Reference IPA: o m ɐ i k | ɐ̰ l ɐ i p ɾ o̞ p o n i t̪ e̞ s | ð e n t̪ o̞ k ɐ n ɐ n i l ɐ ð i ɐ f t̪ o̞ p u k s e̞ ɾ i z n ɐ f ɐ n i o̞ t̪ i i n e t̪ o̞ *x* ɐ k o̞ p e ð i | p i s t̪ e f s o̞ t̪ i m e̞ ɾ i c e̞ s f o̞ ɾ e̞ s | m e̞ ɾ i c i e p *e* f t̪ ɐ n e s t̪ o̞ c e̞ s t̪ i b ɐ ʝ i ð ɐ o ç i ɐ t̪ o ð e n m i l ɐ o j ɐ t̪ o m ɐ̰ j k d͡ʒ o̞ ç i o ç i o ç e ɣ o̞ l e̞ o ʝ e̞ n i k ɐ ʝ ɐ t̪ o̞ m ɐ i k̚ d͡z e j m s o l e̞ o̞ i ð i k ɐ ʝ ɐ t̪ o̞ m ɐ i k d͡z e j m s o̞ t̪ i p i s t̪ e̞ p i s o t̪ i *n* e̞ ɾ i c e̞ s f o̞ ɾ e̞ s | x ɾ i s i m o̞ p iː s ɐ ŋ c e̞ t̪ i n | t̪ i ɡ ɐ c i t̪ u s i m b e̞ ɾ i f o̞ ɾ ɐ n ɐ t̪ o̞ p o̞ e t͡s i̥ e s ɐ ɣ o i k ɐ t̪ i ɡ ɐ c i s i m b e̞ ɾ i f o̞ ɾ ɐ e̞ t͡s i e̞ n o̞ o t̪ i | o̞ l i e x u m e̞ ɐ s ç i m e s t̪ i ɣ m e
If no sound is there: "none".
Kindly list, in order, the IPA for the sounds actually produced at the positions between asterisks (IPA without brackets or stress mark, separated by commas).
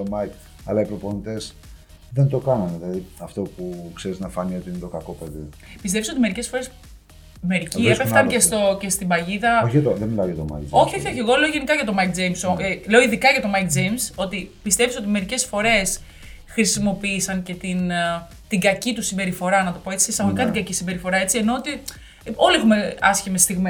k, e, m